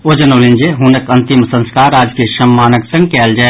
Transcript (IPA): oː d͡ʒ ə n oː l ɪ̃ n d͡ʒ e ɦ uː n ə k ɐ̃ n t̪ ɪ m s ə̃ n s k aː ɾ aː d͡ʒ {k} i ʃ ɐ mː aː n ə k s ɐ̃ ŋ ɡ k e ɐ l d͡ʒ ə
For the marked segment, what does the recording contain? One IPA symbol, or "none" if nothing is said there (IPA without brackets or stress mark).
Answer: k